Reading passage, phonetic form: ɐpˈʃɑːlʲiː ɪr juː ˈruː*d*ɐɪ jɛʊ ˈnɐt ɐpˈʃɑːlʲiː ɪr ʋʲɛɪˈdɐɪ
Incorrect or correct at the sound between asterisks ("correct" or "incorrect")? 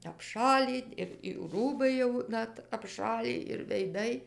incorrect